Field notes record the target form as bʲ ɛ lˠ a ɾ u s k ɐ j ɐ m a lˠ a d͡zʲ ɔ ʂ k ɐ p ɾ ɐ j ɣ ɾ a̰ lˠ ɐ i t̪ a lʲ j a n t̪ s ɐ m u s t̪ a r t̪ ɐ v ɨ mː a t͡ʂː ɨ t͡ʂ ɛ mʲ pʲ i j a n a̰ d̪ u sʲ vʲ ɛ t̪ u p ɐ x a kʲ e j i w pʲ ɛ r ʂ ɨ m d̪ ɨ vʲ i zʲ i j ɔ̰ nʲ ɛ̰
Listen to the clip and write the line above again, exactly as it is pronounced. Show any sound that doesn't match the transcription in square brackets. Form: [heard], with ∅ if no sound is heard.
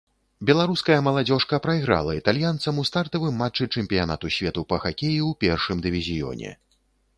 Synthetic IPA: bʲ ɛ lˠ a ɾ u s k ɐ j ɐ m [ɐ] lˠ a d͡zʲ ɔ ʂ k ɐ p ɾ ɐ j ɣ ɾ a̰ lˠ ɐ i t̪ a lʲ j a n t̪ s ɐ m u s t̪ a r t̪ ɐ v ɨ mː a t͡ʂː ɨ t͡ʂ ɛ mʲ pʲ i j a n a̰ [t̪] u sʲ vʲ ɛ t̪ u p ɐ x a kʲ e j i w pʲ ɛ r ʂ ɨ m d̪ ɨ vʲ i zʲ i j ɔ̰ nʲ ɛ̰